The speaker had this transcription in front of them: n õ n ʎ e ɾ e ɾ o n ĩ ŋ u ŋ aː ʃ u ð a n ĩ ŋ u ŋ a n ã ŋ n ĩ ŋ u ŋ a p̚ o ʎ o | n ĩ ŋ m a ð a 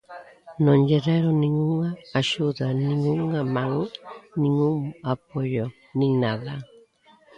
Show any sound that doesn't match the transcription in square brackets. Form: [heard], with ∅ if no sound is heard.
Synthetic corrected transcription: n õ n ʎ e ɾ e ɾ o n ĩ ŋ u ŋ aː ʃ u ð a n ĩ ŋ u ŋ a [m] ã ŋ n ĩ ŋ u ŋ a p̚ o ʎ o | n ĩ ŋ [n] a ð a